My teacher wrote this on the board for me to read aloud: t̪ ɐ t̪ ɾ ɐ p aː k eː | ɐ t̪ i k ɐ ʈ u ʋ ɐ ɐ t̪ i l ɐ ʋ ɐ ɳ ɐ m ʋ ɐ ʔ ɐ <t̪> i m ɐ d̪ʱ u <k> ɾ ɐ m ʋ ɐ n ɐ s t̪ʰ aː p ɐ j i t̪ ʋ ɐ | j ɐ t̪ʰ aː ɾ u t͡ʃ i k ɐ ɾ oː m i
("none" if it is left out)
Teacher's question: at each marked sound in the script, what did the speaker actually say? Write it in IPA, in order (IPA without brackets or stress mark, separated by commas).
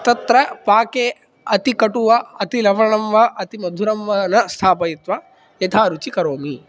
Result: t̪, none